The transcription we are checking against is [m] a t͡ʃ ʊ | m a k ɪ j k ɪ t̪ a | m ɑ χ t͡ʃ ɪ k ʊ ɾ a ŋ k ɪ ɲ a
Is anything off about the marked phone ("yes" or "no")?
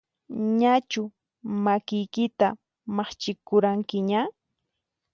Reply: yes